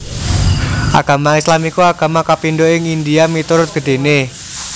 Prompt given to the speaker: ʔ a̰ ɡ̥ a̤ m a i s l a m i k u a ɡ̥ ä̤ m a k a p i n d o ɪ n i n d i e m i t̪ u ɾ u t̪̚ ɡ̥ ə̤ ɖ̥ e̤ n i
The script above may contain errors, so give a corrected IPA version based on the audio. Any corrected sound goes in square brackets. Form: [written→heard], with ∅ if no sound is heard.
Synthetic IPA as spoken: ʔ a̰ ɡ̥ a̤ m a i s l a m i k u a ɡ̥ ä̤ m a k a p i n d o ɪ [n→ŋ] i n d i [e→a] m i t̪ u ɾ [u→ʊ] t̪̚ ɡ̥ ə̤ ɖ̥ e̤ n [i→e]